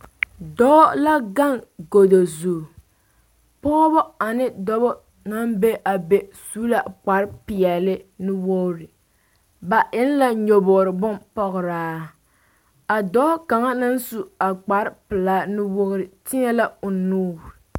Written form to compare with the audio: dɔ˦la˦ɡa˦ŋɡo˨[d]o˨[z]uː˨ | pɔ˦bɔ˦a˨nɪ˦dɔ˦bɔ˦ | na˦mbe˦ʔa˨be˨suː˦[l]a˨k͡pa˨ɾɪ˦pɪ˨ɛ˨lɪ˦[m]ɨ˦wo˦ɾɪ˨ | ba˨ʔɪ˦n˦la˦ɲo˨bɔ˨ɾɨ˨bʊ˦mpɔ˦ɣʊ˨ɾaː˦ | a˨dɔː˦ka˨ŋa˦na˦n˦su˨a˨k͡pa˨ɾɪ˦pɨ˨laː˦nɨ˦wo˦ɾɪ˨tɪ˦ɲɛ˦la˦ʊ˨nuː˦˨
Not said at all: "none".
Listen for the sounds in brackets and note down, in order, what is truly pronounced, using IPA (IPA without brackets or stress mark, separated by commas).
d, z, l, n